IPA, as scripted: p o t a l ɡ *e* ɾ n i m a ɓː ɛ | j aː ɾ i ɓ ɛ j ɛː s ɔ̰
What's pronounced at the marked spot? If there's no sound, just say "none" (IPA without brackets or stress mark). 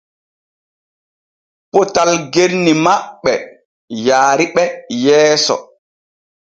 e